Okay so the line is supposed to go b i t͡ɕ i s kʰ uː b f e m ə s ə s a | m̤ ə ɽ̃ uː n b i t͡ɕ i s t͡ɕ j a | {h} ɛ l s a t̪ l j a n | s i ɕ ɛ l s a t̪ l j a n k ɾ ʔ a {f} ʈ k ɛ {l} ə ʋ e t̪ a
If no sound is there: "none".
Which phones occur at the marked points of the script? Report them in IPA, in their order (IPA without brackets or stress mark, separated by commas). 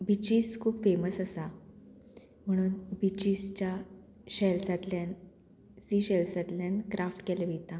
ɕ, f, l